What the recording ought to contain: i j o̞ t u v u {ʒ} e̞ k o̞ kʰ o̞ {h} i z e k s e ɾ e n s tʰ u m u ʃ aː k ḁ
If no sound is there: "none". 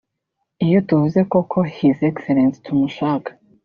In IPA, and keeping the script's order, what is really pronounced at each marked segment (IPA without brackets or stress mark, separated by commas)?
z, h